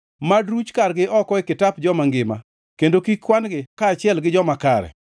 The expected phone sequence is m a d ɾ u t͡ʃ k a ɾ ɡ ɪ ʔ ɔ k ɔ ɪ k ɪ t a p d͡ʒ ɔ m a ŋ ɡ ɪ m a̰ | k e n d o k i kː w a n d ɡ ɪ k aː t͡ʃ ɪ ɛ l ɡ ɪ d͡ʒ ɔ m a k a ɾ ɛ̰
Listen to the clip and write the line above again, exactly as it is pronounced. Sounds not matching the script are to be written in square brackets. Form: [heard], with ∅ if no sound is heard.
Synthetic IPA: m a d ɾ u t͡ʃ k a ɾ ɡ ɪ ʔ ɔ k ɔ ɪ k ɪ t a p d͡ʒ ɔ m a ŋ ɡ ɪ m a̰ | k e n d o k i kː w a n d ɡ ɪ k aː t͡ʃ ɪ ɛ l ɡ ɪ d͡ʒ ɔ m a k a ɾ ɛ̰